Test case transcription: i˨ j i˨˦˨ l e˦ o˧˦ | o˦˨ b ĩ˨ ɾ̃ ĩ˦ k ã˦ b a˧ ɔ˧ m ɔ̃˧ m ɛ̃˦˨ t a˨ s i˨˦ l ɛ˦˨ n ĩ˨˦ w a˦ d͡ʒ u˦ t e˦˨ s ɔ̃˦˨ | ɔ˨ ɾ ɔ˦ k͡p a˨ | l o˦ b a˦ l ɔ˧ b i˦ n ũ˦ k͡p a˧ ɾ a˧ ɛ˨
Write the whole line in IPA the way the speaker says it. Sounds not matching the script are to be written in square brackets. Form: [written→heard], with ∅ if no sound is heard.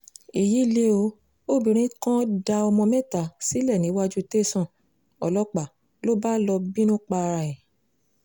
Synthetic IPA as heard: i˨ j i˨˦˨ l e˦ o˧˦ | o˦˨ b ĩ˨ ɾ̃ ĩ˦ k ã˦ [b→d] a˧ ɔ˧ m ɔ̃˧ m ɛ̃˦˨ t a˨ s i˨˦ l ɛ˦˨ n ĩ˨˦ w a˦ d͡ʒ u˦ t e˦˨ s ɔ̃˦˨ | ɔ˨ [ɾ→l] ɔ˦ k͡p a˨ | l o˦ b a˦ l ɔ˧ b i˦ n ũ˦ k͡p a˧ ɾ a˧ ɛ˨

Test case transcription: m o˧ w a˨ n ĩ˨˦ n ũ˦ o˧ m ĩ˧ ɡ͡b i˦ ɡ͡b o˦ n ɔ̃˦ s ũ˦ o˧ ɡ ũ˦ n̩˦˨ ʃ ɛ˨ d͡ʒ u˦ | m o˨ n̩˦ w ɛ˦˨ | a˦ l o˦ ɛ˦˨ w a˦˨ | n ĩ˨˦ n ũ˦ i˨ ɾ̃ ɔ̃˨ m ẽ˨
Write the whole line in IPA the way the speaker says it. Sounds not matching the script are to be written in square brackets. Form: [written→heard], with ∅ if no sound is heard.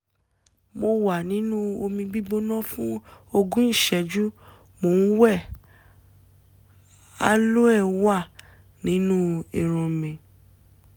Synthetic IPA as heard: m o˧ w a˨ n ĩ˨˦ n ũ˦ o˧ m ĩ˧ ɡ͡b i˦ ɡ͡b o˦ n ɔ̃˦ [s→f] ũ˦ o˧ ɡ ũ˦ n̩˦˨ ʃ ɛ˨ d͡ʒ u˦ | m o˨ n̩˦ w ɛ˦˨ | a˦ l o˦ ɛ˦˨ w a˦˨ | n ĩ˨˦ n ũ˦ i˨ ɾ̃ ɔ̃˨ m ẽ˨

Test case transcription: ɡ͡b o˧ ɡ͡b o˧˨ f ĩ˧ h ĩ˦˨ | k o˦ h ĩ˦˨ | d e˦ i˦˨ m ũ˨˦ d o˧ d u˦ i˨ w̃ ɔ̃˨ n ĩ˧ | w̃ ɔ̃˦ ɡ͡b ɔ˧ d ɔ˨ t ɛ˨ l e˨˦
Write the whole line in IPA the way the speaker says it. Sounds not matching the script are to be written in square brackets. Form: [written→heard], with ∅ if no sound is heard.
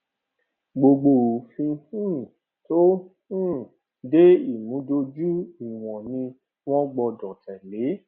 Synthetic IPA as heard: ɡ͡b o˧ ɡ͡b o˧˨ f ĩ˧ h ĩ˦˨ | [k→t] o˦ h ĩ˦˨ | d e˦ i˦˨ m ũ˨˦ d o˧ [d→d͡ʒ] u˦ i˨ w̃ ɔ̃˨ n ĩ˧ | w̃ ɔ̃˦ ɡ͡b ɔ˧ d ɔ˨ t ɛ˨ l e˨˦

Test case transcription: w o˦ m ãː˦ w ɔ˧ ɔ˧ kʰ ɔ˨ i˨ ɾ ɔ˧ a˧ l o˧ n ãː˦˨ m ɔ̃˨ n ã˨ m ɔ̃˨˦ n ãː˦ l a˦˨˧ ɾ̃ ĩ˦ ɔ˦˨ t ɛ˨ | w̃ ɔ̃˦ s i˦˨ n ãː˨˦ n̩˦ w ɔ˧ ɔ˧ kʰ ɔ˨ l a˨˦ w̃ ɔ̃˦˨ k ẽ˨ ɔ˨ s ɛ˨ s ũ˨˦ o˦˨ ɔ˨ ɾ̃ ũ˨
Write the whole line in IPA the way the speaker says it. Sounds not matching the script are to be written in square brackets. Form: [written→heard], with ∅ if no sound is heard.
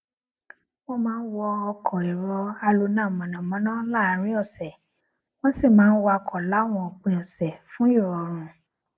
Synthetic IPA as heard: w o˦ m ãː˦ w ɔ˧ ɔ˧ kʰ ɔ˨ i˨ ɾ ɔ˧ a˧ l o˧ n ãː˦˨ m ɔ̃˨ n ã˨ m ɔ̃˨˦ n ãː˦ l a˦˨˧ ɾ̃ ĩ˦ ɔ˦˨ [t→s] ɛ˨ | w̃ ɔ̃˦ s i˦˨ [n→m] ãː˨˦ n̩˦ w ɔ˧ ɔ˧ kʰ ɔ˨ l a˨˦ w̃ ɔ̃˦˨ [k→k͡p] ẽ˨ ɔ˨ s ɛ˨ [s→f] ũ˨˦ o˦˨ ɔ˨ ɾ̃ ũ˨

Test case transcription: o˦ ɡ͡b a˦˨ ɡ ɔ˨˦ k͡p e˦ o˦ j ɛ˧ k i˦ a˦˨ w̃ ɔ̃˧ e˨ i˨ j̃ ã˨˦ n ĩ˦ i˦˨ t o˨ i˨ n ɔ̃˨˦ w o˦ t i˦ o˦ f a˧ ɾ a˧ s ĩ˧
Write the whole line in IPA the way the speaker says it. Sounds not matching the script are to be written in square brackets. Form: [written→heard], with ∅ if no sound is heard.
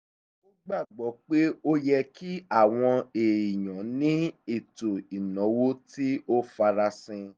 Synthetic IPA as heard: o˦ ɡ͡b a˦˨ [ɡ→ɡ͡b] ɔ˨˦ k͡p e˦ o˦ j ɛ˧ k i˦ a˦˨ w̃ ɔ̃˧ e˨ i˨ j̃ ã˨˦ n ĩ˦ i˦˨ t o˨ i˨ n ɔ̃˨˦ w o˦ t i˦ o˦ f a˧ ɾ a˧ s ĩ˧

